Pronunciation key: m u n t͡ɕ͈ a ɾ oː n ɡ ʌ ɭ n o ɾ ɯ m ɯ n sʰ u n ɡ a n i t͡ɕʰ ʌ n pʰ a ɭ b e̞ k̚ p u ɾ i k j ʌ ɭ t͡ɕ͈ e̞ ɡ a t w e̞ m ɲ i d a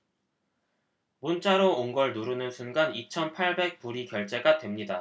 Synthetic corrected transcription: m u n t͡ɕ͈ a ɾ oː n ɡ ʌ ɭ n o ɾ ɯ n ɯ n sʰ u n ɡ a n i t͡ɕʰ ʌ n pʰ a ɭ b e̞ k̚ p u ɾ i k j ʌ ɭ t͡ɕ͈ e̞ ɡ a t w e̞ m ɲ i d a

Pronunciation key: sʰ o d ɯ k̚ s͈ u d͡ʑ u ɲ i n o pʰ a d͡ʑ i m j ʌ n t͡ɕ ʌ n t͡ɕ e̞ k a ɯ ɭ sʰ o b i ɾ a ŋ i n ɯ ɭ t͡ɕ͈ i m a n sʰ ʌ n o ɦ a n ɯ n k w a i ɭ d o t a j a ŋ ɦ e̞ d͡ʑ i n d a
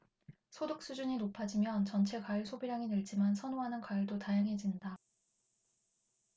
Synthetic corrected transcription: sʰ o d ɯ k̚ s͈ u d͡ʑ u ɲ i n o pʰ a d͡ʑ i m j ʌ n t͡ɕ ʌ n t͡ɕʰ e̞ k a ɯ ɭ sʰ o b i ɾ a ŋ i n ɯ ɭ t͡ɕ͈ i m a n sʰ ʌ n o ɦ a n ɯ n k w a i ɭ d o t a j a ŋ ɦ e̞ d͡ʑ i n d a

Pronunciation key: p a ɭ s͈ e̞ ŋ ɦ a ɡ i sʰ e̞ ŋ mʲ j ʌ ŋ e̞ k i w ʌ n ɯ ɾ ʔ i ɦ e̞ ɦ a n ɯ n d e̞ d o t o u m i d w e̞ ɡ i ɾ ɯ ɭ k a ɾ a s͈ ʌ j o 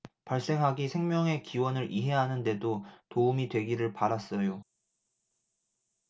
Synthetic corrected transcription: p a ɭ s͈ e̞ ŋ ɦ a ɡ i sʰ e̞ ŋ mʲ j ʌ ŋ e̞ k i w ʌ n ɯ ɾ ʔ i ɦ e̞ ɦ a n ɯ n d e̞ d o t o u m i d w e̞ ɡ i ɾ ɯ ɭ p a ɾ a s͈ ʌ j o

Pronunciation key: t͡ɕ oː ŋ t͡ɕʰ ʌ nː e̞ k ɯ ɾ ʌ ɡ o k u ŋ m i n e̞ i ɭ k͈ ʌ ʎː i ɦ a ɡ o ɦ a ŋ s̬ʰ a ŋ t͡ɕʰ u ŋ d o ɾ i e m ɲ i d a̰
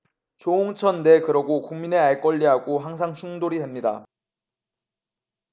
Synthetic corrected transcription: t͡ɕ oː ŋ t͡ɕʰ ʌ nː e̞ k ɯ ɾ ʌ ɡ o k u ŋ m i n e̞ a ɭ k͈ ʌ ʎː i ɦ a ɡ o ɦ a ŋ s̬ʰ a ŋ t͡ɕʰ u ŋ d o ɾ i e m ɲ i d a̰

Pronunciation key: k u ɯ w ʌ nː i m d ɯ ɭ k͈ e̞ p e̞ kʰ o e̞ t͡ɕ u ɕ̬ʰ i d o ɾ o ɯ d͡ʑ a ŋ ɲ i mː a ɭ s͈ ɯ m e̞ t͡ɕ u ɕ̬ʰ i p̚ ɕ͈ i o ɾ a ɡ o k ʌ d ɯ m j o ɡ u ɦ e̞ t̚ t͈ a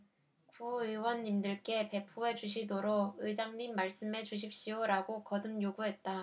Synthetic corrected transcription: k u ɯ w ʌ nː i m d ɯ ɭ k͈ e̞ p e̞ pʰ o e̞ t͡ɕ u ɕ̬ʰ i d o ɾ o ɯ d͡ʑ a ŋ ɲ i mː a ɭ s͈ ɯ m e̞ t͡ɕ u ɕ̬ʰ i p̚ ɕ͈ i o ɾ a ɡ o k ʌ d ɯ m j o ɡ u ɦ e̞ t̚ t͈ a

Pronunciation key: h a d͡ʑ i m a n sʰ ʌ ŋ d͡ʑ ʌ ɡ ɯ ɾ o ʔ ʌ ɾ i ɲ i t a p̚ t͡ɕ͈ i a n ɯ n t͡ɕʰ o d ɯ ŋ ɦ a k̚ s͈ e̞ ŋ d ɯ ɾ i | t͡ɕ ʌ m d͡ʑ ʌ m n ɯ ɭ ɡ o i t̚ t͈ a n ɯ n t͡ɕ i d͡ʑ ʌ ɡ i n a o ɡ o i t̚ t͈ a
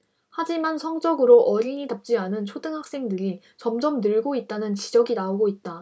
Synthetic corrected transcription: h a d͡ʑ i m a n sʰ ʌ ŋ d͡ʑ ʌ ɡ ɯ ɾ o ʔ ʌ ɾ i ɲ i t a p̚ t͡ɕ͈ i a n ɯ n t͡ɕʰ o d ɯ ŋ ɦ a k̚ s͈ e̞ ŋ d ɯ ɾ i | t͡ɕ ʌ m d͡ʑ ʌ m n ɯ ɭ ɡ o i t̚ t͈ a n ɯ n t͡ɕ i d͡ʑ ʌ ɡ i n a o ɡ o i t̚ t͈ a

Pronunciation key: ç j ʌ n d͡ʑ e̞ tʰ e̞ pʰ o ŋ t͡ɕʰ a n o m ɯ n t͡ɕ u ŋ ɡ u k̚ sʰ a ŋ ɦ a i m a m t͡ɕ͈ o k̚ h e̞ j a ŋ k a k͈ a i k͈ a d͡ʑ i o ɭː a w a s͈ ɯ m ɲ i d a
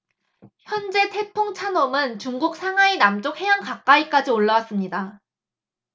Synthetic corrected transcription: ç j ʌ n d͡ʑ e̞ tʰ e̞ pʰ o ŋ t͡ɕʰ a n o m ɯ n t͡ɕ u ŋ ɡ u k̚ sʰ a ŋ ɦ a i n a m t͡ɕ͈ o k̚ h e̞ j a ŋ k a k͈ a i k͈ a d͡ʑ i o ɭː a w a s͈ ɯ m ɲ i d a

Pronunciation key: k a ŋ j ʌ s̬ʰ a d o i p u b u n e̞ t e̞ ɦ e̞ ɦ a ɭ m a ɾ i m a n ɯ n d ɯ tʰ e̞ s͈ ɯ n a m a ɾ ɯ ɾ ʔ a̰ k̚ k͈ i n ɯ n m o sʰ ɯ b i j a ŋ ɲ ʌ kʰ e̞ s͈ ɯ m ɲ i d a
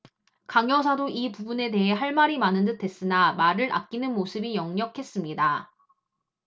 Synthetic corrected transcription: k a ŋ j ʌ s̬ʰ a d o i p u b u n e̞ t e̞ ɦ e̞ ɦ a ɭ m a ɾ i m a n ɯ n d ɯ tʰ e̞ s͈ ɯ n a m a ɾ ɯ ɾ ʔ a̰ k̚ k͈ i n ɯ n m o sʰ ɯ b i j ʌ ŋ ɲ ʌ kʰ e̞ s͈ ɯ m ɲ i d a

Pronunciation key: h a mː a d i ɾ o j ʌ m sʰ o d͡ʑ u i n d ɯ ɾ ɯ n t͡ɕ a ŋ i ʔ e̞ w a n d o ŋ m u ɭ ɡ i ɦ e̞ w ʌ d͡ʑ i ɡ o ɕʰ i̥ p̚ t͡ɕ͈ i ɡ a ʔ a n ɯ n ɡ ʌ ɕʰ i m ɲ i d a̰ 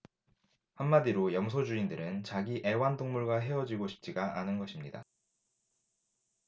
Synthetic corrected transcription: h a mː a d i ɾ o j ʌ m sʰ o d͡ʑ u i n d ɯ ɾ ɯ n t͡ɕ a ɡ i ʔ e̞ w a n d o ŋ m u ɭ ɡ a ɦ e̞ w ʌ d͡ʑ i ɡ o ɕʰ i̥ p̚ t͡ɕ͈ i ɡ a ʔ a n ɯ n ɡ ʌ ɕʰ i m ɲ i d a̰

